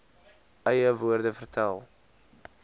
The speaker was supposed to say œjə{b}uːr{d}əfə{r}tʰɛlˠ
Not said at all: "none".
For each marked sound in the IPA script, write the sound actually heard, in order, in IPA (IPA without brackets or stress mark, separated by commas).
v, d, r